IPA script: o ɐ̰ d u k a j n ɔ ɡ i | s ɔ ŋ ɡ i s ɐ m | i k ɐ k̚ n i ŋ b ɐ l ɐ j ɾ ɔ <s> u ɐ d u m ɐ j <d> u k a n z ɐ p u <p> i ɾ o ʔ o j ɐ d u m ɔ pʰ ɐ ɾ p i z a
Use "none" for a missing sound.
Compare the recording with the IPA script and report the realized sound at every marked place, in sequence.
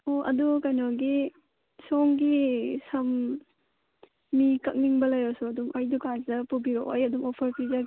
s, d, b

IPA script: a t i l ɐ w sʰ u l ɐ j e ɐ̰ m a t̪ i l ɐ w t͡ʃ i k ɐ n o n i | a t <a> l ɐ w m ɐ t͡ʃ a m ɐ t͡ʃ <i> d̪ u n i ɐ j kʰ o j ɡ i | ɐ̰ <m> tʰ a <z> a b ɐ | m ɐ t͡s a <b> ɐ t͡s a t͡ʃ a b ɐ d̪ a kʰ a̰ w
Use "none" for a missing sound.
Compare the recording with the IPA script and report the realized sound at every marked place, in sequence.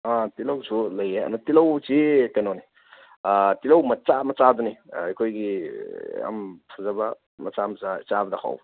i, a, m, z, m

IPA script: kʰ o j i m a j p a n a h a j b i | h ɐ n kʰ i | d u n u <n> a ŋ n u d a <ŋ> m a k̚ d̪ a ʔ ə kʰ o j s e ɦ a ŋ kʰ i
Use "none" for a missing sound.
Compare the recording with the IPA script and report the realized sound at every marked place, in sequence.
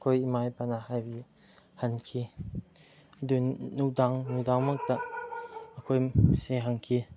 d, ŋ

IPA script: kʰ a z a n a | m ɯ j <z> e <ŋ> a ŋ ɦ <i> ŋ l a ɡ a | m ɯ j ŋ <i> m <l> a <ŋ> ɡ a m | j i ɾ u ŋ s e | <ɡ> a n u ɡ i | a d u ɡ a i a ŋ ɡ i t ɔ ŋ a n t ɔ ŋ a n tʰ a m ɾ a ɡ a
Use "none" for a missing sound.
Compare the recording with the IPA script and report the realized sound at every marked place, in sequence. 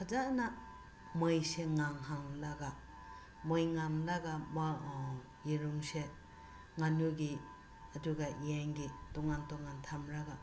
s, ŋ, a, a, l, none, ŋ

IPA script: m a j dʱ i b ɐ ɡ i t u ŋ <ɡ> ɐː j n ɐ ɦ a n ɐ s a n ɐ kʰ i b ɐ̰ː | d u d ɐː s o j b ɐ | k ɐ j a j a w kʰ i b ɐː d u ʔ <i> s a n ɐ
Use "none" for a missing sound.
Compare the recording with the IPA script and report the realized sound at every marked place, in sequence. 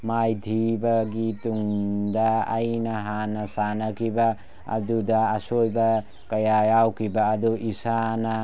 d, i

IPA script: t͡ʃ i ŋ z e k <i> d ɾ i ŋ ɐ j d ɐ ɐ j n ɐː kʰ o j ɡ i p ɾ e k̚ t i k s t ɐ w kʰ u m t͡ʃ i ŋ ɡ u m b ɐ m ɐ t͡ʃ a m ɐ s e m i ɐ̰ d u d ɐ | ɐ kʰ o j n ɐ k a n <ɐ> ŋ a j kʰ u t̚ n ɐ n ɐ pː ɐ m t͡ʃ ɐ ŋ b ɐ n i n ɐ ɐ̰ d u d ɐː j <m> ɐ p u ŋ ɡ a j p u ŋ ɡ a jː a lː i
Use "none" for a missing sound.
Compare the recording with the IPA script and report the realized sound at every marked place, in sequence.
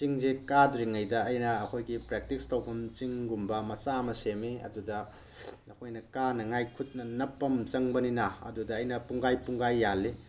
a, ɐ, n

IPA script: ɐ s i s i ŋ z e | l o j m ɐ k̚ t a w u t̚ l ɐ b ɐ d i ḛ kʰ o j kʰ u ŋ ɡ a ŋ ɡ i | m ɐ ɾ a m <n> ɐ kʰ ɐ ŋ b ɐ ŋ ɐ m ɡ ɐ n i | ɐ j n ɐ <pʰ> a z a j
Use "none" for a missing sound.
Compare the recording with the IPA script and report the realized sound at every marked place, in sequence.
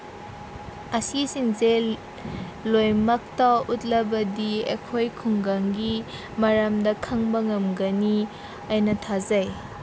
d, tʰ

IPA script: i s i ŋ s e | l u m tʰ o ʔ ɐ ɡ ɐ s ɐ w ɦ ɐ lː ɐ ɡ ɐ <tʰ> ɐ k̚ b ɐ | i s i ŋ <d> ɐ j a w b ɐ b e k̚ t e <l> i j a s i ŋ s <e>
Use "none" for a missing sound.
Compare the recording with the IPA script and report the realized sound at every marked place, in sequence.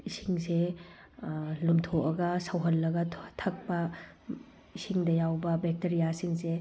tʰ, d, ɾ, e

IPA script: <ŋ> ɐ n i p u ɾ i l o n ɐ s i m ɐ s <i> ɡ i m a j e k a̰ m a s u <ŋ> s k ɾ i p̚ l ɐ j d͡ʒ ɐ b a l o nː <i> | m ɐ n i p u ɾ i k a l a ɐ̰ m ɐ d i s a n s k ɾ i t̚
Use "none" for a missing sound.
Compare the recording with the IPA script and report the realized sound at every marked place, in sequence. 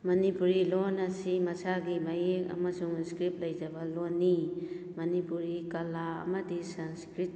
m, a, ŋ, i

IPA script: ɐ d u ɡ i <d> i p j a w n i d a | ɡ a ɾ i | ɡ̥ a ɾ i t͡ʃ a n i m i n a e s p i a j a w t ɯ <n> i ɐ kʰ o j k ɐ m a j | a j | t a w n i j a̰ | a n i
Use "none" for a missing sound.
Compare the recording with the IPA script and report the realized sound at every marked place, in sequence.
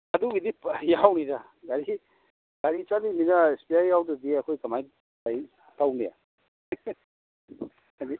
d, d

